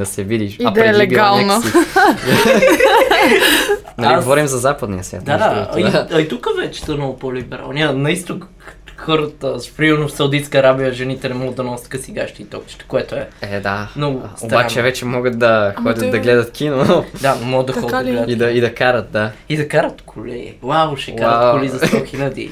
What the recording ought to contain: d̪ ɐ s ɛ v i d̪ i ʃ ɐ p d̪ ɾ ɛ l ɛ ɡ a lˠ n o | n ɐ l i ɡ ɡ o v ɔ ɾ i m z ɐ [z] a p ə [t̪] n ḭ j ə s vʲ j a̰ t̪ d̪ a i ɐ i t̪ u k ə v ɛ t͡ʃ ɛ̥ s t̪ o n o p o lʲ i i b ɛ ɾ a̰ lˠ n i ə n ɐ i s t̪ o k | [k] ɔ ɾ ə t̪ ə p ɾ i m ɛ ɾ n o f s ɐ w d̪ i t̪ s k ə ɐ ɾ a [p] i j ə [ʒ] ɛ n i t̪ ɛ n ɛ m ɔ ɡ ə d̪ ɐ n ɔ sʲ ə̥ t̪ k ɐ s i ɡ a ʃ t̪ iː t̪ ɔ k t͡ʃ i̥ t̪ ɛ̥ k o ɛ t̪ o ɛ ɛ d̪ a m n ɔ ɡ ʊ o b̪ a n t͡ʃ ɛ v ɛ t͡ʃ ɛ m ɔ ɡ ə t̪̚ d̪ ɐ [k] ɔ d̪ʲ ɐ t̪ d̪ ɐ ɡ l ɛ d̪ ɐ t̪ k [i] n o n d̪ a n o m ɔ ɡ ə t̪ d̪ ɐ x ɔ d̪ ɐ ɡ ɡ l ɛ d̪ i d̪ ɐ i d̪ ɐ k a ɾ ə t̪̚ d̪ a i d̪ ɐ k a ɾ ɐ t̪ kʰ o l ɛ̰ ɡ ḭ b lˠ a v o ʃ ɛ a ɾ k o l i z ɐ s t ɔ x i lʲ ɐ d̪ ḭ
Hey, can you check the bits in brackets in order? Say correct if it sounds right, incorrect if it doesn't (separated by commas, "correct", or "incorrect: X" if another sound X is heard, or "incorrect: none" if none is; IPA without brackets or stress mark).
correct, incorrect: d̪, incorrect: x, incorrect: b, correct, incorrect: x, correct